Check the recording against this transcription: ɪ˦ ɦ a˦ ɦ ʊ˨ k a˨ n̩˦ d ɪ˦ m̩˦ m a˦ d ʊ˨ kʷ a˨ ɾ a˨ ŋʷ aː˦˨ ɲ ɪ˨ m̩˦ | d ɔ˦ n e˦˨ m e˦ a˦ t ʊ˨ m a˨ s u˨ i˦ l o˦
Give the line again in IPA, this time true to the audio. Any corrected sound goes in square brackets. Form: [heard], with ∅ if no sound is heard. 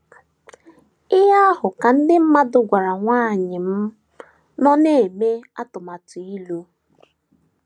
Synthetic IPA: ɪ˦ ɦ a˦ ɦ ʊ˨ k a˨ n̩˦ d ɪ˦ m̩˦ m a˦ d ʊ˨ [ɡʷ] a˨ ɾ a˨ ŋʷ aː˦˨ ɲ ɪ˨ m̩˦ | [n] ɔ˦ n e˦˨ m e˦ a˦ t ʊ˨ m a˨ [t] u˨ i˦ l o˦

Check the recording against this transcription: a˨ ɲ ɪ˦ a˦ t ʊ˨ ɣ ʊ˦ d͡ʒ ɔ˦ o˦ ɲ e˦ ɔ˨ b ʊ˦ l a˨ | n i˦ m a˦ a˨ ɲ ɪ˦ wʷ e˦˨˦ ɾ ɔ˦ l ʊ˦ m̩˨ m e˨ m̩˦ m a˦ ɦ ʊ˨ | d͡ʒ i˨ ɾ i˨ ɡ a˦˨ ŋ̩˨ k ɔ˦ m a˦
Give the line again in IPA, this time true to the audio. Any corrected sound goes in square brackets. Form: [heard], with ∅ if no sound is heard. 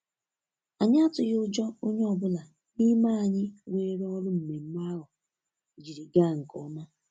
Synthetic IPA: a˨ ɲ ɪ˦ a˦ t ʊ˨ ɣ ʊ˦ d͡ʒ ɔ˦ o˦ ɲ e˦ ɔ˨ b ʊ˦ l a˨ | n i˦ m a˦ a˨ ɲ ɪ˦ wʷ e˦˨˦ ɾ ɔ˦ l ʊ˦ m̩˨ m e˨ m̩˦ m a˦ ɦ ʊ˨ | d͡ʒ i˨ ɾ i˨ ɡ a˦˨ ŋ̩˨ k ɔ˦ m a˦

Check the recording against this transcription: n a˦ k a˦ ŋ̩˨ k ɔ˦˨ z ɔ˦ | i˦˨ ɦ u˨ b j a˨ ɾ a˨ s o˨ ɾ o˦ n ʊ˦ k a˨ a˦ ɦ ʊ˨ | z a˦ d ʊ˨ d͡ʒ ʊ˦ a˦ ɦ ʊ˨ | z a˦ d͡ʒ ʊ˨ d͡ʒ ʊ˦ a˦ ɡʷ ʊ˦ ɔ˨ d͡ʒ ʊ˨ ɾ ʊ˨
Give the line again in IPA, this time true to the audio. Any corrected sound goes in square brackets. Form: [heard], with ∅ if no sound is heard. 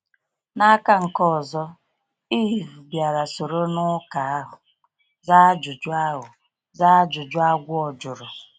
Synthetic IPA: n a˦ k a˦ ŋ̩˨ k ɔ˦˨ z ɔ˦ | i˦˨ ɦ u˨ b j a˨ ɾ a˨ s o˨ ɾ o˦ n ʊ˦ k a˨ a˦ ɦ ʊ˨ | z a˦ [d͡ʒ] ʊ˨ d͡ʒ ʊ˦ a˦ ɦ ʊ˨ | z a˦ d͡ʒ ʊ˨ d͡ʒ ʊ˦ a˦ ɡʷ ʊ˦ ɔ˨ d͡ʒ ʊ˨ ɾ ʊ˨

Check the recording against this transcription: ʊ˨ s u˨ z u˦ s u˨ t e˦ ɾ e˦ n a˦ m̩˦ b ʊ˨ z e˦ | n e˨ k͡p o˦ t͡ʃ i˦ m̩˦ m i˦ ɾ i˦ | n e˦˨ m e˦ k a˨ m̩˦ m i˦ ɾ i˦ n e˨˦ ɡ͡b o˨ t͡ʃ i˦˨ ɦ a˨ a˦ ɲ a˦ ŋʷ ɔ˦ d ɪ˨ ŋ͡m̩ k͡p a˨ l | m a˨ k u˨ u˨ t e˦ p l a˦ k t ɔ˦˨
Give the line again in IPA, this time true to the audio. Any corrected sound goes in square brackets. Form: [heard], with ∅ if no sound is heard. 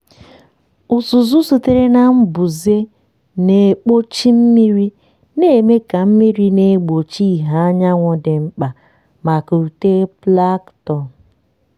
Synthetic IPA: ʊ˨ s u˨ z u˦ s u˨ t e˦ ɾ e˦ n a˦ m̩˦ b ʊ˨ z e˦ | n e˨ k͡p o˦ t͡ʃ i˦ m̩˦ m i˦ ɾ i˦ | n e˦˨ m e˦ k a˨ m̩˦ m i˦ ɾ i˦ n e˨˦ ɡ͡b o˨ t͡ʃ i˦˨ ɦ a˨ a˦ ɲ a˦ ŋʷ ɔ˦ d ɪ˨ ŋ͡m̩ k͡p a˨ [∅] | m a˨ k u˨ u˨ t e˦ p l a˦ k t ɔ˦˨

